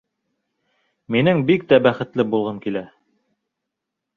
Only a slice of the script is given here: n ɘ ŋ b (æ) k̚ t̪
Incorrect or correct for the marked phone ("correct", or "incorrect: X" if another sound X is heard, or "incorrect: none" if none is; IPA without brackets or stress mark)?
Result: incorrect: i